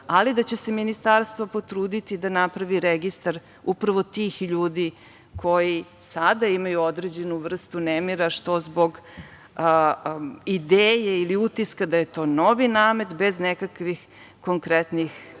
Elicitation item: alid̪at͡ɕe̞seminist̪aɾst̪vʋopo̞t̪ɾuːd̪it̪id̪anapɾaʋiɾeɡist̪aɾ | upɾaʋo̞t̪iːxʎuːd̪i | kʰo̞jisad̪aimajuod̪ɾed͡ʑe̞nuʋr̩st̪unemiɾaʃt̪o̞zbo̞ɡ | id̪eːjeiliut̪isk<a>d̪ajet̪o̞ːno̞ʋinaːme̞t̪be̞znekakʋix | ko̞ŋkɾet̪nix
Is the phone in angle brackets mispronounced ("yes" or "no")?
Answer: no